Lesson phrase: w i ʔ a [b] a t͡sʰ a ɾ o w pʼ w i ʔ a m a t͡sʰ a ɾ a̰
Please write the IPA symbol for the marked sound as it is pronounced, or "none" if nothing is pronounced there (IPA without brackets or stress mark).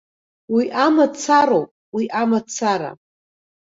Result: m